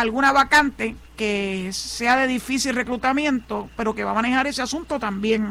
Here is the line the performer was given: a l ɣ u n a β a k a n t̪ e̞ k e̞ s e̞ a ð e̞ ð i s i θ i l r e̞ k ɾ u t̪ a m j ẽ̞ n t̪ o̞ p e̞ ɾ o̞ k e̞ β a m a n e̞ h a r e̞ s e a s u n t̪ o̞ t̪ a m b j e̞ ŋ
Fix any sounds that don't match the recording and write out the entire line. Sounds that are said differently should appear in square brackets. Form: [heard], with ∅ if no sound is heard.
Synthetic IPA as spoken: a l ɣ u n a β a k a n t̪ e̞ k e̞ s e̞ a ð e̞ ð i [f] i [s] i l r e̞ k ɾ u t̪ a m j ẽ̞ n t̪ o̞ p e̞ ɾ o̞ k e̞ β a m a n e̞ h a [ɾ] e̞ s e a s u n t̪ o̞ t̪ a m b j e̞ ŋ